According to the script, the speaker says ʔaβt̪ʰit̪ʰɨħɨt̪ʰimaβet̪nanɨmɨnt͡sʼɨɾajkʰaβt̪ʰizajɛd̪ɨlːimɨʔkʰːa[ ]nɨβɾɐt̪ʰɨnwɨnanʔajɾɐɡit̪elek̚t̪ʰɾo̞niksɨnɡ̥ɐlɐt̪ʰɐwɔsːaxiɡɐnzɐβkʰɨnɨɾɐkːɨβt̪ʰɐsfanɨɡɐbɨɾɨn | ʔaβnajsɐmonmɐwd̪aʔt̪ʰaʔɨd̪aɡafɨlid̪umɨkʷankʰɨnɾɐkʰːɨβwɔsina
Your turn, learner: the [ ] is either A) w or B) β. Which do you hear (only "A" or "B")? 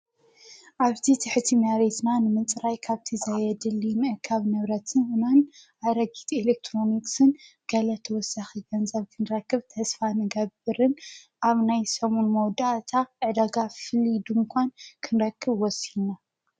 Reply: B